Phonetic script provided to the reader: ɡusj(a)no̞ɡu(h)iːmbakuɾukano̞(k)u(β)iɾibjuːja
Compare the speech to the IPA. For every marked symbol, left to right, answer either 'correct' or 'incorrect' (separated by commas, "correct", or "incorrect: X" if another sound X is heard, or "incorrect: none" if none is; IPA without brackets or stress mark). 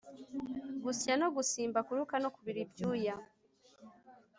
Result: correct, incorrect: s, correct, correct